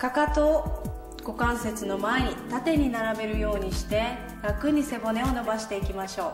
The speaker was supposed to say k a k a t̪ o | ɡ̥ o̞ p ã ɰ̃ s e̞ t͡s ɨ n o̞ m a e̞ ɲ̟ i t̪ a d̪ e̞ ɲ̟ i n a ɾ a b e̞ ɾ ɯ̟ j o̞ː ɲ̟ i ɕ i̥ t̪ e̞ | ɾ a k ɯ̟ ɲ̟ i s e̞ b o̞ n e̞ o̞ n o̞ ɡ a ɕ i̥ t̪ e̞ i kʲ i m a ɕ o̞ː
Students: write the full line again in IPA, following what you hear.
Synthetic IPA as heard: k a k a t̪ o | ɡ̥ o̞ k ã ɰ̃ s e̞ t͡s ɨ n o̞ m a e̞ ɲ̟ i t̪ a t̪ e̞ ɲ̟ i n a ɾ a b e̞ ɾ ɯ̟ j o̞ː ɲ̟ i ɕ i̥ t̪ e̞ | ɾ a k ɯ̟ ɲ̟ i s e̞ b o̞ n e̞ o̞ n o̞ b a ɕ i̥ t̪ e̞ i kʲ i m a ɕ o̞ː